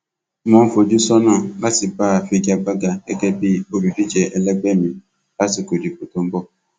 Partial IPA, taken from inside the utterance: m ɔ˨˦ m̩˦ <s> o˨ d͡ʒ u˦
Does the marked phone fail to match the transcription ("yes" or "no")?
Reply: yes